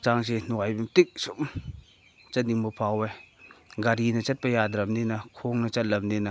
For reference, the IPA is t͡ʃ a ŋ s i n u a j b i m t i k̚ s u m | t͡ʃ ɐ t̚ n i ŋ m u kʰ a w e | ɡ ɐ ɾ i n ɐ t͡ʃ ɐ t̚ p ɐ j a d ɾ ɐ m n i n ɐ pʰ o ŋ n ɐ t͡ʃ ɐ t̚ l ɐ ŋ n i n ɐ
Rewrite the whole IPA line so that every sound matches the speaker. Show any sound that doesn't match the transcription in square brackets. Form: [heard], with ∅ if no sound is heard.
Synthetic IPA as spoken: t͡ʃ a ŋ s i n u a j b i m t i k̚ s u m | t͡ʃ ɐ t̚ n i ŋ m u [pʰ] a w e | ɡ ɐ ɾ i n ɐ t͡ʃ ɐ t̚ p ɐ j a d ɾ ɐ m n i n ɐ [kʰ] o ŋ n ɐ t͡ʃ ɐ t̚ l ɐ [m] n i n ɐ